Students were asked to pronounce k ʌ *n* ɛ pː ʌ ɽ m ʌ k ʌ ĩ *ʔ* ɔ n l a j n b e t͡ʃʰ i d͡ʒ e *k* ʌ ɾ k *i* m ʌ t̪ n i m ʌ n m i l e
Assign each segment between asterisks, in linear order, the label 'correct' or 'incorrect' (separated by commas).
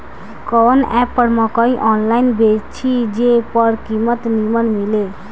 correct, correct, incorrect, correct